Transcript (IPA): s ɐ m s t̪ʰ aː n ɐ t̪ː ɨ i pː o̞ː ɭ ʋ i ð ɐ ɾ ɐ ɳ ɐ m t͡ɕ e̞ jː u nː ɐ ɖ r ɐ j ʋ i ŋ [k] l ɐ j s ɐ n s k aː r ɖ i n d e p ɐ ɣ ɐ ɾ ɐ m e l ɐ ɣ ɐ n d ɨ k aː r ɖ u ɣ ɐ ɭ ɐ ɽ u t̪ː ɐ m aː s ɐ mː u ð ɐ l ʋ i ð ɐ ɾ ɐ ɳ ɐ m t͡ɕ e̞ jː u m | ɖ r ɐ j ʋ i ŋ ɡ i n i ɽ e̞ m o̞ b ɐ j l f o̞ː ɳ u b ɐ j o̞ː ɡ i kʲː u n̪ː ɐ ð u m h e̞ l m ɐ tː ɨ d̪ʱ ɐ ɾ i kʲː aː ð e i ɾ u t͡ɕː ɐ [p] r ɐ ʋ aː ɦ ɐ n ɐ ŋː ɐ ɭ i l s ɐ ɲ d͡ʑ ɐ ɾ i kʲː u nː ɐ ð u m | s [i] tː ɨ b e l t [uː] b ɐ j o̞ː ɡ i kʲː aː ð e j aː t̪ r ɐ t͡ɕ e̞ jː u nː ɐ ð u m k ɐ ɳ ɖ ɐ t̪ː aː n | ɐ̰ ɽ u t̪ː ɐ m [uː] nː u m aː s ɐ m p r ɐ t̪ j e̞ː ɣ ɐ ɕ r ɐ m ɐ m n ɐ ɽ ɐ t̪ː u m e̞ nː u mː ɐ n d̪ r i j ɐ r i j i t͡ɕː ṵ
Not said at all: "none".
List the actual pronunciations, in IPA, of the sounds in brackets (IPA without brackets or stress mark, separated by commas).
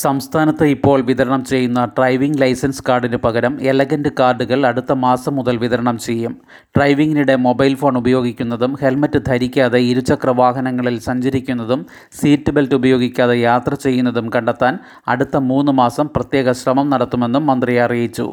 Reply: ɡ, k, iː, u, uː